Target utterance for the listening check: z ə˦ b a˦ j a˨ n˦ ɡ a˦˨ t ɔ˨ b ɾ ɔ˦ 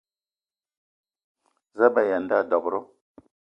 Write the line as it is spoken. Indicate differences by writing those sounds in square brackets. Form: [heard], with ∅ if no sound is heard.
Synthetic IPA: z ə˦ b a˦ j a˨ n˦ [d] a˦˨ [d] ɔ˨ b ɾ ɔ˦

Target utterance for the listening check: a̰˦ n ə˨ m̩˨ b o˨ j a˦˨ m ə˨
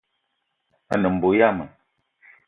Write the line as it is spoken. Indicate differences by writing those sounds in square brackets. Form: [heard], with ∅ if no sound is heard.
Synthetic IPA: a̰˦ n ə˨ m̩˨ b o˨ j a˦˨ m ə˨

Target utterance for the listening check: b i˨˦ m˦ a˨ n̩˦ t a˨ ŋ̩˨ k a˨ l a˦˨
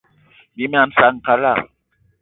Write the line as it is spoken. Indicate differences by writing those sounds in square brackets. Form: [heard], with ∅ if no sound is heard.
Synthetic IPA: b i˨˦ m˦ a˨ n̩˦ [s] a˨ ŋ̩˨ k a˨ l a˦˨

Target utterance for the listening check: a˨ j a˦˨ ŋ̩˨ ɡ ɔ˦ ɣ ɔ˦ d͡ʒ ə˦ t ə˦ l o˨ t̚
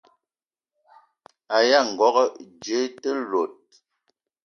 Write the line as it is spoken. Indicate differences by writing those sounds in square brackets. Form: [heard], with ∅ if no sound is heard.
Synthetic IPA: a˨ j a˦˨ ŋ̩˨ ɡ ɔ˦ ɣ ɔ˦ d͡ʒ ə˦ t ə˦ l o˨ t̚

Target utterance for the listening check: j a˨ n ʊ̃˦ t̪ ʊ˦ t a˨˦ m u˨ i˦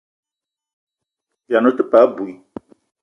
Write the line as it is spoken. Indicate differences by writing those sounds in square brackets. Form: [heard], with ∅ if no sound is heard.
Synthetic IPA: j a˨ n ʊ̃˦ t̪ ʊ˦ [p] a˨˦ [b] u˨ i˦

